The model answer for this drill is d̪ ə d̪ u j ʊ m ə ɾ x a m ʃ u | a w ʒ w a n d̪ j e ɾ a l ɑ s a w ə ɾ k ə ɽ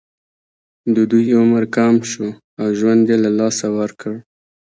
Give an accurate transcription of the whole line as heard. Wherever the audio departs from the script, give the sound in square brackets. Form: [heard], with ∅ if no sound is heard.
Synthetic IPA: d̪ ə d̪ u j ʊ m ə ɾ [k] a m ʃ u | a w ʒ w a n d̪ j e [l] a l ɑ s a w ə ɾ k ə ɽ